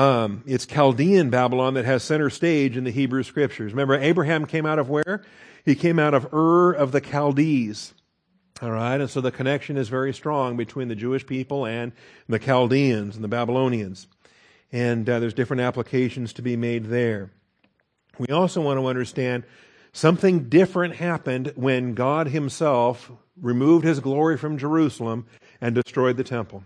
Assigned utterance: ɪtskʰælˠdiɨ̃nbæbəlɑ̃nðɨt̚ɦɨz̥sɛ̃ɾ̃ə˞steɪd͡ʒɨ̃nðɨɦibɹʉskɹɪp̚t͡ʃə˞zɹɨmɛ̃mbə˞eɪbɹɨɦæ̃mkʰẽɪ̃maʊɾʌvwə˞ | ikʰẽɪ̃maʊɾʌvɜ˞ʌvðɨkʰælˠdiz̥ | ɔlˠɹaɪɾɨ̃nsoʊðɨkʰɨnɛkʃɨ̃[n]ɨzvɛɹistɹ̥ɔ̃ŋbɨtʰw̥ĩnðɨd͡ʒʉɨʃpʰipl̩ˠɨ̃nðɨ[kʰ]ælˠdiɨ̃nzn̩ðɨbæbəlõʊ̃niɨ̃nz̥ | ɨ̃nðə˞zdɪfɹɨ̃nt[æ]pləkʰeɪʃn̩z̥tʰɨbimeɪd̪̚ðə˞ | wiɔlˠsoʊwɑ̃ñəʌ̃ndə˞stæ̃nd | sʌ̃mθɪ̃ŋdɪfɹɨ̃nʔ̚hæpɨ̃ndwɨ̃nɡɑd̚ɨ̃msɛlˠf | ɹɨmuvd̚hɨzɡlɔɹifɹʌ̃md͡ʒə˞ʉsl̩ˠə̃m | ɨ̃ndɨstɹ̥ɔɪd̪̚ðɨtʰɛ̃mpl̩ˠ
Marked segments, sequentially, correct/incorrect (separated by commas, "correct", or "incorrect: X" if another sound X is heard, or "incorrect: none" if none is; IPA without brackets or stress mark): correct, correct, correct